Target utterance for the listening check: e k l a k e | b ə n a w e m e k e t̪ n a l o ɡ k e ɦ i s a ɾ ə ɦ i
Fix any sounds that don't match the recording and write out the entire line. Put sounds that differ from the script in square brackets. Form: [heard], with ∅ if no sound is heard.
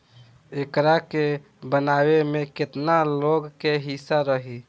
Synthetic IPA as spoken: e k [ɾ] a k e | b ə n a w e m e k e t̪ n a l o ɡ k e ɦ i s a ɾ ə ɦ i